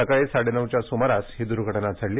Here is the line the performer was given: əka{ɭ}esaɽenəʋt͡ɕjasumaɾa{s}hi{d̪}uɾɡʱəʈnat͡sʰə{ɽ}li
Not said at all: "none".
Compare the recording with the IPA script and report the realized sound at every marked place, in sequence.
ɭ, s, d̪, ɽ

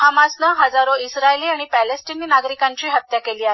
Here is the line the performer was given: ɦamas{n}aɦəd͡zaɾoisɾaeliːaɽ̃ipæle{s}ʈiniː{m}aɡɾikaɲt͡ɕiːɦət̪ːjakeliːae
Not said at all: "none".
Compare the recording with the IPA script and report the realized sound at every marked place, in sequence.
n, s, n

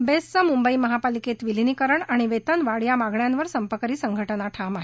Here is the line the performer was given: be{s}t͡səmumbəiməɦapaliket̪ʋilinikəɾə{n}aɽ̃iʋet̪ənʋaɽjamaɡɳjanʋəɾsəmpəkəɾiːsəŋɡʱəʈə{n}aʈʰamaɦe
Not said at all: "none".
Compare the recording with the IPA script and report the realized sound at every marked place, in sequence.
s, ɳ, n

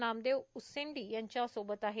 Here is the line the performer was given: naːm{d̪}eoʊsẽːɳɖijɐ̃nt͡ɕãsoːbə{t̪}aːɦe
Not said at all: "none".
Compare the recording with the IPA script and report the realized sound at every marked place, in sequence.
d̪, t̪

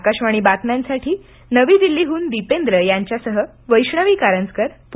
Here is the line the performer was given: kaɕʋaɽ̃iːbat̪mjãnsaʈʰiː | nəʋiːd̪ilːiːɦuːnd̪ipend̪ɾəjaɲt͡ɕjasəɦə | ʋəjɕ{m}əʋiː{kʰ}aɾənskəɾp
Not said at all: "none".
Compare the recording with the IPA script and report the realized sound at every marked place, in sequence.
ɳ, k

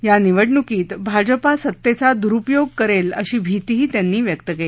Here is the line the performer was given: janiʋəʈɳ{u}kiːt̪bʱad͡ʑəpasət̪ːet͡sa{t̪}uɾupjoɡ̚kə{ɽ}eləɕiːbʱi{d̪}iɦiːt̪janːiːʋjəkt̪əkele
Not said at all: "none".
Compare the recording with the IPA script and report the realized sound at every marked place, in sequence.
u, d̪, ɾ, t̪

